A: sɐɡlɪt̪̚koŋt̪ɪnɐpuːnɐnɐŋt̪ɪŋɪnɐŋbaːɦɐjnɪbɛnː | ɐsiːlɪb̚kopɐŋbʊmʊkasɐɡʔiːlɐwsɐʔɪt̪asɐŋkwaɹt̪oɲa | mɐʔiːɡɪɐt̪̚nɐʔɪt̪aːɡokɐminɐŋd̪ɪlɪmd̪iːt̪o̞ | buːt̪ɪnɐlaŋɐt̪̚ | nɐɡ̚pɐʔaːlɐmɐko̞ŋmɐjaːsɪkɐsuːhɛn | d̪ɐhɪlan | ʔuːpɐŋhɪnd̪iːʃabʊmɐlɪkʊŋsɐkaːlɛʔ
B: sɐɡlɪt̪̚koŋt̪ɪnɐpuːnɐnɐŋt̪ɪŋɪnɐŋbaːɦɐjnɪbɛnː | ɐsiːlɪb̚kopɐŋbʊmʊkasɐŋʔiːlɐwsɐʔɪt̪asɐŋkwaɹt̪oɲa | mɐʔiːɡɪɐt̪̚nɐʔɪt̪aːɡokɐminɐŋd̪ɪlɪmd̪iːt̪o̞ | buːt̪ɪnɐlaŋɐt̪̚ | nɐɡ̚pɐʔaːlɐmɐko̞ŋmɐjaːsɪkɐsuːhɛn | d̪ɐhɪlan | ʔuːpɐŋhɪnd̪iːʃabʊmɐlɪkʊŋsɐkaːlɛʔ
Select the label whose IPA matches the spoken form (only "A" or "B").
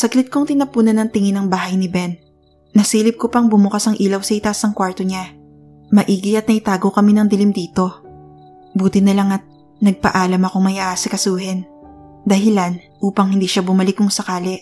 B